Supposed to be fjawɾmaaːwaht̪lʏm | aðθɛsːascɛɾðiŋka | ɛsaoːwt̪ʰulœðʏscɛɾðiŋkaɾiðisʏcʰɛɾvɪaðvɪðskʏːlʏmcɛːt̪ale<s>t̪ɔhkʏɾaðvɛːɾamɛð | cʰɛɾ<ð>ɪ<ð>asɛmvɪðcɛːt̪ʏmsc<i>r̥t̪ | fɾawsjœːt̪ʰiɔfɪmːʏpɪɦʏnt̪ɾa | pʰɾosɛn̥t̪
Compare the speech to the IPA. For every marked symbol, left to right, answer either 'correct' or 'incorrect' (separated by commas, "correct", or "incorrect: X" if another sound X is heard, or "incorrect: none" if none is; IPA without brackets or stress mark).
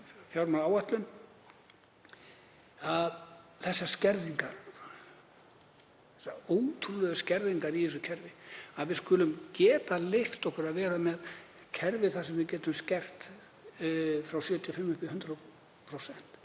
incorrect: f, incorrect: v, incorrect: θ, incorrect: ɛ